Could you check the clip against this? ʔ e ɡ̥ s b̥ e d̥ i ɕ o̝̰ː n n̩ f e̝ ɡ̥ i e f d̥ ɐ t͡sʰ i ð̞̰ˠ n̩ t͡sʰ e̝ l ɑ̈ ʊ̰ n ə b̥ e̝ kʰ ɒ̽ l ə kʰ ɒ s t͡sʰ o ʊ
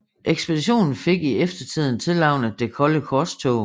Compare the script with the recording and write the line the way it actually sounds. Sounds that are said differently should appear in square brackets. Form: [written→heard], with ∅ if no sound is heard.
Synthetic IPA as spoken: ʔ e ɡ̥ s b̥ e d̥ i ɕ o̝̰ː n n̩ f e̝ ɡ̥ i e f d̥ ɐ t͡sʰ i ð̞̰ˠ n̩ t͡sʰ e̝ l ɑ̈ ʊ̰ n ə [b̥→d̥] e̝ kʰ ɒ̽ l ə kʰ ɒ s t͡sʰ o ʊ